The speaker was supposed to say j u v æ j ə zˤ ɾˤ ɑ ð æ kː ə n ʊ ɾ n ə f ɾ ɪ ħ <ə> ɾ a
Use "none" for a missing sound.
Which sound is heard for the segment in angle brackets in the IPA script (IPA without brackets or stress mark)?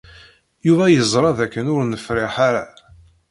a